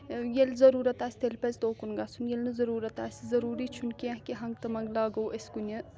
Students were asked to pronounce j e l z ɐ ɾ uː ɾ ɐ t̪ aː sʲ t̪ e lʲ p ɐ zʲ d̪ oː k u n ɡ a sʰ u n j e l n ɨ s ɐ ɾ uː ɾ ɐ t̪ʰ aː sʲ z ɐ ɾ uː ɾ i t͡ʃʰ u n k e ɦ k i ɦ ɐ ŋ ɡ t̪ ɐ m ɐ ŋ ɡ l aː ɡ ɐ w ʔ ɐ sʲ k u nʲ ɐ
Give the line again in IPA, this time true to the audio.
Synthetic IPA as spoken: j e l z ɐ ɾ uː ɾ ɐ t̪ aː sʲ t̪ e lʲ p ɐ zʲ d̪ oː k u n ɡ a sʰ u n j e l n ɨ z ɐ ɾ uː ɾ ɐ t̪ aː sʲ z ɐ ɾ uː ɾ i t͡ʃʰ u n k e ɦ k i ɦ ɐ ŋ ɡ t̪ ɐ m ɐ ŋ ɡ l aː ɡ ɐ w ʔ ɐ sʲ k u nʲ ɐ